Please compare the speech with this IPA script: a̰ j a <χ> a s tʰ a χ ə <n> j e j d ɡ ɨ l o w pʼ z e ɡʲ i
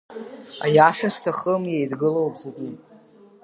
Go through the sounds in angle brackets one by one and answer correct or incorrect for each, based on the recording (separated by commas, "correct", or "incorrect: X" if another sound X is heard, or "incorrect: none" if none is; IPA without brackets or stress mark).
incorrect: ʂ, incorrect: m